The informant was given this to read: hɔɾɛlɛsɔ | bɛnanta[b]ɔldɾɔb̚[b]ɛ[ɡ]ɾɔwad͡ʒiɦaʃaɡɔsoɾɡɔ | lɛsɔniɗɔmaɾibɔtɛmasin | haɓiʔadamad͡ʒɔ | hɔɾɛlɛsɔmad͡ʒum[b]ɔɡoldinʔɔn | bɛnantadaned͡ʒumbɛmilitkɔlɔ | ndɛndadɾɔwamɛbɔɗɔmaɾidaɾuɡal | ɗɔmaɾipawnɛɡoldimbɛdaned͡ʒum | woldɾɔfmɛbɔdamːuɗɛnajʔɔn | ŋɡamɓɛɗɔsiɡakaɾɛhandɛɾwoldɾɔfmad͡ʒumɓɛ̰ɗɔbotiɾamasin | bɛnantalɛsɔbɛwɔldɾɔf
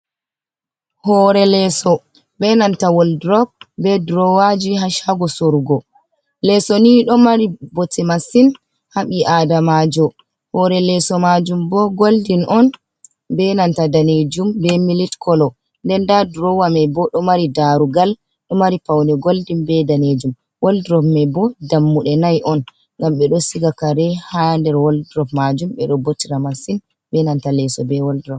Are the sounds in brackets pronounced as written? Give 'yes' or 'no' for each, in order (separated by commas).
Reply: no, yes, no, yes